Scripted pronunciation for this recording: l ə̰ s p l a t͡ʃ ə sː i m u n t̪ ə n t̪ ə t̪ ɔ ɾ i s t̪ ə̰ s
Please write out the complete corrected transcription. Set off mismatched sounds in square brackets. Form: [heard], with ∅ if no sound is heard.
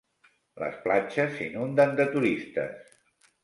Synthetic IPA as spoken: l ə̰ s p l a t͡ʃ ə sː i [n] u n [d̪] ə n [d̪] ə t̪ [u] ɾ i s t̪ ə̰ s